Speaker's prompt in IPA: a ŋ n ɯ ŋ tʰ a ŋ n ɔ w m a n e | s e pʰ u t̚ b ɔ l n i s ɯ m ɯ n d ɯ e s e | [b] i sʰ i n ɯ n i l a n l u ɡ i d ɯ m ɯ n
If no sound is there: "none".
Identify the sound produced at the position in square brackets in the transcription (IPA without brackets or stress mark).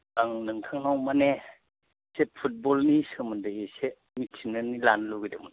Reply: m